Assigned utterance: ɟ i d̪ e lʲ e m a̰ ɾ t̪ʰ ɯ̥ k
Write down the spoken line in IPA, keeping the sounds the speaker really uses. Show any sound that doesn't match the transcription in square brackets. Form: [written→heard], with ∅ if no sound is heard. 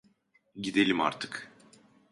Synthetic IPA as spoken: ɟ i d̪ e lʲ [e→i] m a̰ ɾ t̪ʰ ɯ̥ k